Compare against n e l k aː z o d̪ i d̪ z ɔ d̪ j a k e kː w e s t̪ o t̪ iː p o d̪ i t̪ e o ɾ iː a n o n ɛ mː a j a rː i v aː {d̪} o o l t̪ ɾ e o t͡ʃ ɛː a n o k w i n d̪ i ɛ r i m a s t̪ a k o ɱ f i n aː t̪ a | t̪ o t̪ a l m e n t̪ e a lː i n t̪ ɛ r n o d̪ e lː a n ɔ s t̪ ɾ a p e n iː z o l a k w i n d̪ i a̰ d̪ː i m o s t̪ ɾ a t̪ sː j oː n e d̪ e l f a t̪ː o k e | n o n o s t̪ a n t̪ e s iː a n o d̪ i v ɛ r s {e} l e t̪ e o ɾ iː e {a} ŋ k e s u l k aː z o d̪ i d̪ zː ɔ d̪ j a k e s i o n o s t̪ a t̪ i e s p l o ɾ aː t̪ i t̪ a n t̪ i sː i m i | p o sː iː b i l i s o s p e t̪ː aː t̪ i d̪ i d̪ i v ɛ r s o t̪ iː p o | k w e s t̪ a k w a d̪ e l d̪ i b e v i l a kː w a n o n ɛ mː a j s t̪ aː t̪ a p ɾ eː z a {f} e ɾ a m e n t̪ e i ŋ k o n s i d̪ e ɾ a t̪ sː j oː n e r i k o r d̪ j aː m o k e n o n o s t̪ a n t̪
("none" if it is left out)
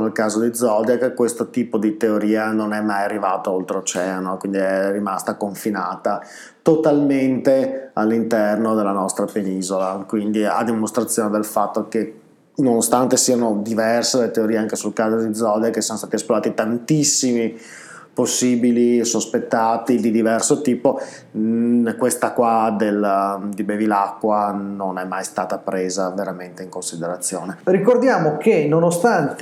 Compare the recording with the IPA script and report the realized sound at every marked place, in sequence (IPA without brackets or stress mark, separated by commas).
t̪, e, a, v